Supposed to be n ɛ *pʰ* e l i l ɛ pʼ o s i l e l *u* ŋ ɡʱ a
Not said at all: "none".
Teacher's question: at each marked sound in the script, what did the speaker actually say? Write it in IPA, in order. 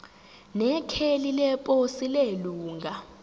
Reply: kʰ, uː

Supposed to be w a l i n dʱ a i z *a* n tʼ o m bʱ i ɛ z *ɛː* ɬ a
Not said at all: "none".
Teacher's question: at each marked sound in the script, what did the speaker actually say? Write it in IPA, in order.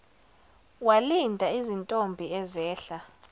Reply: i, ɛː

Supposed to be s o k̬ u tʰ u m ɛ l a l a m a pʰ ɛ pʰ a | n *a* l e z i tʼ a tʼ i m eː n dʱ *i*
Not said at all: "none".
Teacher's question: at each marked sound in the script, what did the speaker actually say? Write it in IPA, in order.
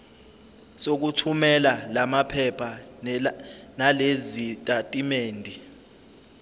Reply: a, i

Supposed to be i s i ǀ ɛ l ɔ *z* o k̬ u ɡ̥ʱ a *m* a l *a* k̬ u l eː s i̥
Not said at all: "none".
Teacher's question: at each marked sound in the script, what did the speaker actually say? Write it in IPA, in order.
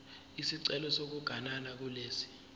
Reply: s, n, a

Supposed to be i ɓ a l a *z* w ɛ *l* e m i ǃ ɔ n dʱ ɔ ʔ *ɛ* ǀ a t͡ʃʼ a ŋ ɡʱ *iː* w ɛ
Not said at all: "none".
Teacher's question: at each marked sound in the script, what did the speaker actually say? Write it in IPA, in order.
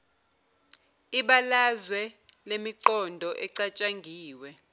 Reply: z, l, ɛ, iː

